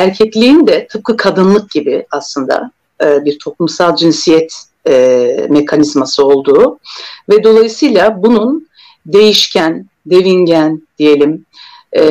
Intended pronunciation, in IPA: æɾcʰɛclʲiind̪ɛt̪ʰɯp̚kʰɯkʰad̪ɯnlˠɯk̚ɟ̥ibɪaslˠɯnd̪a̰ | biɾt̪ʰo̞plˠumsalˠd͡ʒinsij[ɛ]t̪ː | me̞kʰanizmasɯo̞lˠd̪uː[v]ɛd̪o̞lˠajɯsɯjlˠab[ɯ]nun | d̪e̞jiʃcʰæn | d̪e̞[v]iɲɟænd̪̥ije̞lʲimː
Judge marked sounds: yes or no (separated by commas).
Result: yes, yes, no, yes